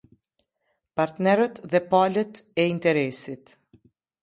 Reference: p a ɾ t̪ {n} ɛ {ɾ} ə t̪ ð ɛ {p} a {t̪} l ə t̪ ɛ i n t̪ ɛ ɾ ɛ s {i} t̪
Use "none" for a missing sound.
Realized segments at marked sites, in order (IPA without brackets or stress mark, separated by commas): n, ɾ, p, none, i